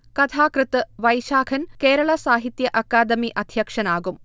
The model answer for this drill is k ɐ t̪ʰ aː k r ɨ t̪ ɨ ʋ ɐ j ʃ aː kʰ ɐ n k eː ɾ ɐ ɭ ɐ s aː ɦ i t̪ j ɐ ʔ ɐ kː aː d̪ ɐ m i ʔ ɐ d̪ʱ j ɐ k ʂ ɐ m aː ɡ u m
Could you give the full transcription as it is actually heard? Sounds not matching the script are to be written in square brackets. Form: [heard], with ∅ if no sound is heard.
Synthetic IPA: k ɐ t̪ʰ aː k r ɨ t̪ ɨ ʋ ɐ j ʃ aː kʰ ɐ n k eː ɾ ɐ ɭ ɐ s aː ɦ i t̪ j ɐ ʔ ɐ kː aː d̪ ɐ m i ʔ ɐ d̪ʱ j ɐ k ʂ ɐ [n] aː ɡ u m